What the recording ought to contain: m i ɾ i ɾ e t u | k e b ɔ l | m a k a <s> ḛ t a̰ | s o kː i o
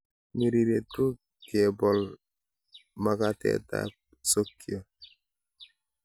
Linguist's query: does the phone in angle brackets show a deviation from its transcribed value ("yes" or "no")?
yes